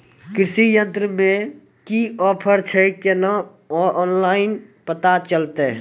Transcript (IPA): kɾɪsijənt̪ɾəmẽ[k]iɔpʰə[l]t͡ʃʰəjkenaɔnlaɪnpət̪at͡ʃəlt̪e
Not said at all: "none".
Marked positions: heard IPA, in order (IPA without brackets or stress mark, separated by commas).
k, ɾ